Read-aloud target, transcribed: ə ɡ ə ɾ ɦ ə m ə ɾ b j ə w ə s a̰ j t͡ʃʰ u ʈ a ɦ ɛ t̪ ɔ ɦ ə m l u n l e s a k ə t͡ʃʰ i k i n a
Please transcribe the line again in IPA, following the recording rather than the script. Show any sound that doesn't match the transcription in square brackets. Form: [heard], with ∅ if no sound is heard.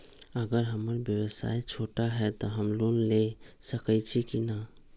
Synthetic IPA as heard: ə ɡ ə ɾ ɦ ə m ə ɾ b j ə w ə s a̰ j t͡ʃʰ [o] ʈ a ɦ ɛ t̪ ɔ ɦ ə m l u n l e s [ə] k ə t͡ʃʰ i k i n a